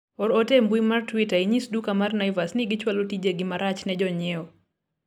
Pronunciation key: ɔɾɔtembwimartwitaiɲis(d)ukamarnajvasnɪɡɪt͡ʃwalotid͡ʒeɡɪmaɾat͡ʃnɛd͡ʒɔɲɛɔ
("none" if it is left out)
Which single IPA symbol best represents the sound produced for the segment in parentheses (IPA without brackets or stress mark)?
d